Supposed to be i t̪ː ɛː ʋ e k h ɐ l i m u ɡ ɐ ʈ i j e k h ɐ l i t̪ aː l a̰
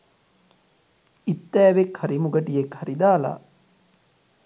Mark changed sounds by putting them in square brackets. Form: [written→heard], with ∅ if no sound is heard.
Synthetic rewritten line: i t̪ː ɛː ʋ e k h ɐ [l→ɾ] i m u ɡ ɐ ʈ i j e k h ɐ [l→ɾ] i [t̪→d̪] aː l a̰

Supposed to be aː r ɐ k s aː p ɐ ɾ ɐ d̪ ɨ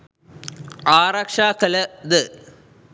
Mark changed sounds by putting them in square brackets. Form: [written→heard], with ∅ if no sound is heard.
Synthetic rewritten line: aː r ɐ k [s→ʂ] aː [p→k] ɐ [ɾ→l] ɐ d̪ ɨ

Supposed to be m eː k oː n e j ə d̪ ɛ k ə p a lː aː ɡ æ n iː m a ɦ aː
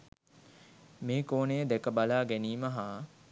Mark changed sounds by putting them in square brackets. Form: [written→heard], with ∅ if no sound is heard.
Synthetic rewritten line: m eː k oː n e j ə d̪ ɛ k ə [p→b] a [lː→l] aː ɡ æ n iː m [a→ə] ɦ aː

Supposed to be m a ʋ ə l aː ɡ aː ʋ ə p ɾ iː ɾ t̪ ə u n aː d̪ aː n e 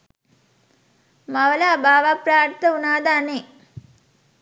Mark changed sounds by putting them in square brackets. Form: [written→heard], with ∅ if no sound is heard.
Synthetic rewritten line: m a ʋ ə l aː [ɡ→b] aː ʋ [ə→a] p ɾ [iː→aː] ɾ t̪ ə u n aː d̪ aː n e

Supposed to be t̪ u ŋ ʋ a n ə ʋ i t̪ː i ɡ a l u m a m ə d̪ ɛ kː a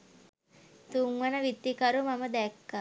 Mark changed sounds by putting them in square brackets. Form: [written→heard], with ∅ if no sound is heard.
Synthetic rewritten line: t̪ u ŋ ʋ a n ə ʋ i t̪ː i [ɡ→k] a [l→ɾ] u m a m ə d̪ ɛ kː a

